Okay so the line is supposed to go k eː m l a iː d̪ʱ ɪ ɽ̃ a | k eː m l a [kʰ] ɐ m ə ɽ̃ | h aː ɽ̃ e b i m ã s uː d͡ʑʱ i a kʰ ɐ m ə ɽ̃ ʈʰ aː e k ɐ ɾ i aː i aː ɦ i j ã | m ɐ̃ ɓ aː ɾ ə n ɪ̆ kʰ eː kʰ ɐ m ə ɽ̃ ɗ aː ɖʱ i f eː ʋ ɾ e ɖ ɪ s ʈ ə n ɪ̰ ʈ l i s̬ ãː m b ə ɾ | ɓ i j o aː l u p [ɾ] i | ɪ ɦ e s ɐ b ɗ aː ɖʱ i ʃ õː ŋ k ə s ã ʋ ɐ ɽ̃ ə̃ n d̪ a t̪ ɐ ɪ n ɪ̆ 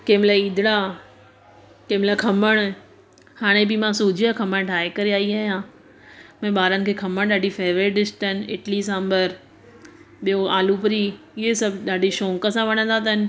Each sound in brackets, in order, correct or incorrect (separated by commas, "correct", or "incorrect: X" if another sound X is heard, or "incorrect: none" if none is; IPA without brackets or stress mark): correct, correct